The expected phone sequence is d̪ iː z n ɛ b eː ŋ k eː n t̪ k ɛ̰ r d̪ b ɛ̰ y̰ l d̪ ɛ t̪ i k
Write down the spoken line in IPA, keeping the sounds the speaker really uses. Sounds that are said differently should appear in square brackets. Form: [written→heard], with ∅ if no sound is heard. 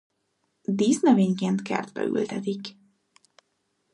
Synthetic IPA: d̪ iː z n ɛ [b→v] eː [ŋ→ɲ] k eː n t̪ k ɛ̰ r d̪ b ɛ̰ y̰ l [d̪→t̪] ɛ t̪ i k